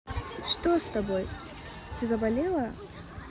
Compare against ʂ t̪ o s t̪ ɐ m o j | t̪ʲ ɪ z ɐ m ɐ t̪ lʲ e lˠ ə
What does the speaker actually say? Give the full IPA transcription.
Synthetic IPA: ʂ t̪ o s t̪ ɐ b o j | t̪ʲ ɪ z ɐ b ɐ lʲ e lˠ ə